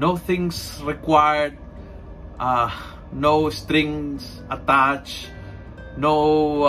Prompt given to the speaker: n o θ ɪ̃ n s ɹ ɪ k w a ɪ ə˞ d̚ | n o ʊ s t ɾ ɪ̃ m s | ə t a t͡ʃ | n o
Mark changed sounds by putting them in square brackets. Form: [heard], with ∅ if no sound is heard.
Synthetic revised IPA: n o θ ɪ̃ [ŋ] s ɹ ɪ k w a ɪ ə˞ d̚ | n o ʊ s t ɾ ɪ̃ [ŋ] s | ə t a t͡ʃ | n o